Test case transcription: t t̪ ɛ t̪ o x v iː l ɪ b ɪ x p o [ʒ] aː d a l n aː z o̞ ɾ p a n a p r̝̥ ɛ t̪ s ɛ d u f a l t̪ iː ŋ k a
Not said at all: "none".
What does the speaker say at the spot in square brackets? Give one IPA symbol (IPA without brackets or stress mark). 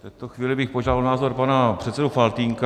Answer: ʒ